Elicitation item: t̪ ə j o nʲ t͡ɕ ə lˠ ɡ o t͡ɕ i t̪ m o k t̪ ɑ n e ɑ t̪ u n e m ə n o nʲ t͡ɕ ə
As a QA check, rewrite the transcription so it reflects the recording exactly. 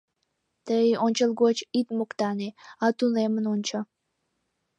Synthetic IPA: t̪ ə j o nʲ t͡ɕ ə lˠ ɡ o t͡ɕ i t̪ m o k t̪ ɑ n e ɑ t̪ u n e m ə n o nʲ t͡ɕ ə